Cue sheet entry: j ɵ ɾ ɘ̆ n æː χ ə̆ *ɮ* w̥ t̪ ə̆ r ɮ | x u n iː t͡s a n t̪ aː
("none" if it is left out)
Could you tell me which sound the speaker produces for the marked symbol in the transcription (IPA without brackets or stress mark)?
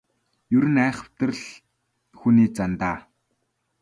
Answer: none